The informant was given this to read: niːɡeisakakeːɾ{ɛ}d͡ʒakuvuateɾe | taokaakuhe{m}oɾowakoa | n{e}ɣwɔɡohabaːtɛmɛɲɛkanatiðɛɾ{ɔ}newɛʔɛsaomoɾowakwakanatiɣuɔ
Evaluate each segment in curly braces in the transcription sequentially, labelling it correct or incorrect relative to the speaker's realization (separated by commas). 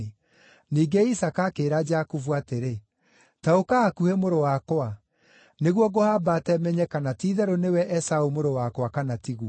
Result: incorrect, correct, correct, incorrect